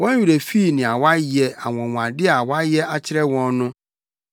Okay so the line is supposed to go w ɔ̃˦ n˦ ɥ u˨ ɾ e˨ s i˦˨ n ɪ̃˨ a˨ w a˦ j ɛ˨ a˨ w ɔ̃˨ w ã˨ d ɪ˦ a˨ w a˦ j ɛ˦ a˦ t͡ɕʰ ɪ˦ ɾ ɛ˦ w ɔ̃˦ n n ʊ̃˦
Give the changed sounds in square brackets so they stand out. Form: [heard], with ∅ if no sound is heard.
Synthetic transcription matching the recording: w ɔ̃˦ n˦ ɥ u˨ ɾ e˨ [f] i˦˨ n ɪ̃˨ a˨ w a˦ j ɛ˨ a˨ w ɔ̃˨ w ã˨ d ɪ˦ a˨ w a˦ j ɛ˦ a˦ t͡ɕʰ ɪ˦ ɾ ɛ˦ w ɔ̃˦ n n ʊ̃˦